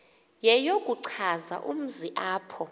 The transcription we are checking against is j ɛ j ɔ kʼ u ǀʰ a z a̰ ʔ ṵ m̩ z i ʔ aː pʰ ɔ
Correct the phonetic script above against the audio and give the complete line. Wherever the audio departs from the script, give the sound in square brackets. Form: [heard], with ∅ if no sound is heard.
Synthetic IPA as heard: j ɛ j [o] kʼ u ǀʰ a z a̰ ʔ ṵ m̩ z i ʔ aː pʰ ɔ